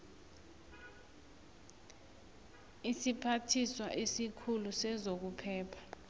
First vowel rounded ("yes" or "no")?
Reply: no